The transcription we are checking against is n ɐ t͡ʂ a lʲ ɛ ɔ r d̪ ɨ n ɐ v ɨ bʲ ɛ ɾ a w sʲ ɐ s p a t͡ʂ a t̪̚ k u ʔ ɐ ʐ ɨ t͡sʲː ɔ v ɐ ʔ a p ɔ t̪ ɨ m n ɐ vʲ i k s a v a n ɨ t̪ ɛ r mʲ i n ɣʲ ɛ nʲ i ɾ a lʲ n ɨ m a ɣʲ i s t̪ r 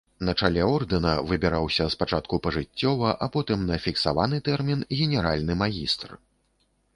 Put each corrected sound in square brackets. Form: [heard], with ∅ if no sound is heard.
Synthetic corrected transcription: n ɐ t͡ʂ a lʲ ɛ ɔ r d̪ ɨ n ɐ v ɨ bʲ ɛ ɾ a w sʲ ɐ s p a t͡ʂ a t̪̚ k u [p] ɐ ʐ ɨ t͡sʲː ɔ v ɐ ʔ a p ɔ t̪ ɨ m n ɐ [fʲ] i k s a v a n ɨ t̪ ɛ r mʲ i n ɣʲ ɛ nʲ [ɛ] ɾ a lʲ n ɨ m a ɣʲ i s t̪ r